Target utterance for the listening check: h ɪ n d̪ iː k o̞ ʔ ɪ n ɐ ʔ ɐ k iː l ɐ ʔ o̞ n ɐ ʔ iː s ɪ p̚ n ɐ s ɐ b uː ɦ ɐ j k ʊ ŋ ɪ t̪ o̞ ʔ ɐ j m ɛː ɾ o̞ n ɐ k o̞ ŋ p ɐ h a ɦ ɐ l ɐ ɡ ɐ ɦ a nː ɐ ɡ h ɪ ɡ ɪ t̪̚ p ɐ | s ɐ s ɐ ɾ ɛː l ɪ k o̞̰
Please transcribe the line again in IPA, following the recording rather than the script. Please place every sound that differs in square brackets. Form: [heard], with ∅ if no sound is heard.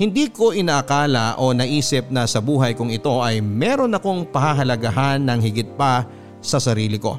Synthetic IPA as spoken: h ɪ n d̪ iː k o̞ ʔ ɪ n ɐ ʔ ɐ k [aː] l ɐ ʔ o̞ n ɐ ʔ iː s ɪ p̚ n ɐ s ɐ b uː ɦ ɐ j k ʊ ŋ ɪ t̪ o̞ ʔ ɐ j m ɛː ɾ o̞ n ɐ k o̞ ŋ p ɐ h a ɦ ɐ l ɐ ɡ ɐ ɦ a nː ɐ [ŋ] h ɪ ɡ ɪ t̪̚ p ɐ | s ɐ s ɐ ɾ [iː] l ɪ k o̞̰